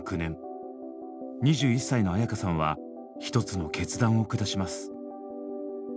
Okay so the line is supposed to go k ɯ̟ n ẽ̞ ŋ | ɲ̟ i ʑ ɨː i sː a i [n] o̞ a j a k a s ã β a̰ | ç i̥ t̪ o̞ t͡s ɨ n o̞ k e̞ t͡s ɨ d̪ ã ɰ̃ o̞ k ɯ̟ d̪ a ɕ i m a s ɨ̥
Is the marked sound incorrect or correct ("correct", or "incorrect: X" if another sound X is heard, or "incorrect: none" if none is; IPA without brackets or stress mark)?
correct